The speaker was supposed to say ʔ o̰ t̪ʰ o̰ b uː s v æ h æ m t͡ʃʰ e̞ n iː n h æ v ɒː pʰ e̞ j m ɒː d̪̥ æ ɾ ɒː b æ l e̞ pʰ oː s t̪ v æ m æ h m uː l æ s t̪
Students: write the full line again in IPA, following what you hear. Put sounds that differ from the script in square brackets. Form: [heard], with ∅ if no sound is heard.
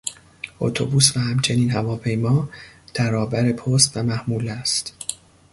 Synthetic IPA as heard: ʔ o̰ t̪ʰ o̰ b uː s v æ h æ m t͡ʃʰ e̞ n iː n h æ v ɒː pʰ e̞ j m ɒː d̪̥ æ ɾ ɒː b æ [ɾ] e̞ pʰ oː s t̪ v æ m æ h m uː l æ s t̪